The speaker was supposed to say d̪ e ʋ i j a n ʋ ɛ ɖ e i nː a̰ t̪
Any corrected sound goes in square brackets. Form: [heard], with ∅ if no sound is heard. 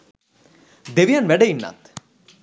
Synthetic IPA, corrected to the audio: d̪ e ʋ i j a n ʋ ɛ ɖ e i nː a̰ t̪